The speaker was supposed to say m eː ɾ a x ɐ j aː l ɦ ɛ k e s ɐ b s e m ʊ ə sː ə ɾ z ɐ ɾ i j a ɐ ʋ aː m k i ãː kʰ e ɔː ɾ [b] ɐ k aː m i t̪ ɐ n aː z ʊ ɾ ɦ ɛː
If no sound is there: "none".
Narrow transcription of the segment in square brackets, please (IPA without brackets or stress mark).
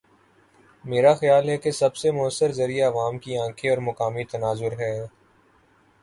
m